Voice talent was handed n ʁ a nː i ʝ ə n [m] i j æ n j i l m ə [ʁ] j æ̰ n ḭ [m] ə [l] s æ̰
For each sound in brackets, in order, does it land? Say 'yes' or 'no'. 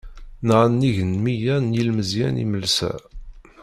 yes, no, yes, yes

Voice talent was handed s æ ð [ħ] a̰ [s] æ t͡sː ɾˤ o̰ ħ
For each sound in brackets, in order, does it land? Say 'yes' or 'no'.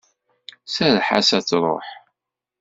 yes, yes

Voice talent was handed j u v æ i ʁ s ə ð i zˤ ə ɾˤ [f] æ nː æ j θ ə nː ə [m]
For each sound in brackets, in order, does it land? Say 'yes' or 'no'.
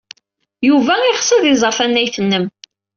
yes, yes

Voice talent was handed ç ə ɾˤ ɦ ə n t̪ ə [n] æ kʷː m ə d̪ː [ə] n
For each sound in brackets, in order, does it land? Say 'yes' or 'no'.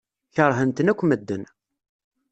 yes, yes

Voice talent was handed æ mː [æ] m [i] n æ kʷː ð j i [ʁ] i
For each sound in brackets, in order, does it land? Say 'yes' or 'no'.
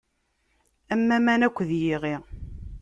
yes, no, yes

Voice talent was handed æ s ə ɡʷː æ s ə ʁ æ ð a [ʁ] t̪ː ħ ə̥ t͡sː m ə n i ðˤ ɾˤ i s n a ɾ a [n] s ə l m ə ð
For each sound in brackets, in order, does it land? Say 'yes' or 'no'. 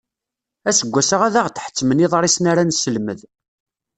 yes, yes

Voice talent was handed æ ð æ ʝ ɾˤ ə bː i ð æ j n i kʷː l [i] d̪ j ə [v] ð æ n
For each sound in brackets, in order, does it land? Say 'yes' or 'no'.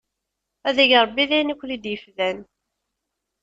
yes, no

